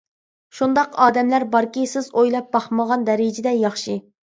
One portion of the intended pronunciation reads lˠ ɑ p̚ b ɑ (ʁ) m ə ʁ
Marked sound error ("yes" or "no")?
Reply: yes